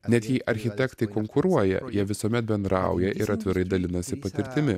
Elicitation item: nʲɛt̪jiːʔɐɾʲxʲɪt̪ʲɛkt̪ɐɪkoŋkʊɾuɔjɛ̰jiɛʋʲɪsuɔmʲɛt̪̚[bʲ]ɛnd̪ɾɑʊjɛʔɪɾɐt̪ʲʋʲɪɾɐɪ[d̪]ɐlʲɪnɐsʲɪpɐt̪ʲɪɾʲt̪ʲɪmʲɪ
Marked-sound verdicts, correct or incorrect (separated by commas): correct, correct